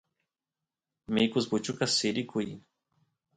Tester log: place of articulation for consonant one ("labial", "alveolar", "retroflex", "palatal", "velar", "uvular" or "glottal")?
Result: labial